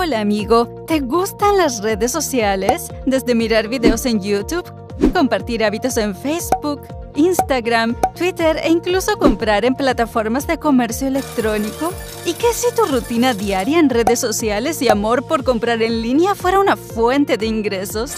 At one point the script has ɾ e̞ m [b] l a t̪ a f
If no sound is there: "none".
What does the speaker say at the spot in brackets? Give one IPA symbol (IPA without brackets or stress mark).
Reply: p